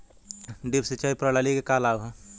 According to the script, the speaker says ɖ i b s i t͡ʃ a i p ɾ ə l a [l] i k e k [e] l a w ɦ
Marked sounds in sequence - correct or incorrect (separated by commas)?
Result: correct, incorrect